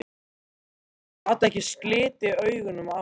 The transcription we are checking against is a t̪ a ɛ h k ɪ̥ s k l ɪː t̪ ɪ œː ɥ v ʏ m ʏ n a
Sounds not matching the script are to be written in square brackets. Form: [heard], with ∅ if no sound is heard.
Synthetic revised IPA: a t̪ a ɛ h [c] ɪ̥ s k l ɪː t̪ ɪ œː ɥ [ɣ] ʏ [n] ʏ [m] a